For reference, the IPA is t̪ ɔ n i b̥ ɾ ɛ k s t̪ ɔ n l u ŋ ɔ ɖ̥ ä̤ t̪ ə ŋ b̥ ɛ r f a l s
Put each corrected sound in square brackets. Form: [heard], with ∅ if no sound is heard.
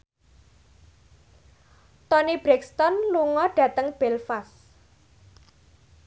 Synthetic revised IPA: t̪ ɔ n i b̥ ɾ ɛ k s t̪ ɔ n l u ŋ ɔ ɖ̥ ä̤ t̪ ə ŋ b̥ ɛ [l] f a [∅] s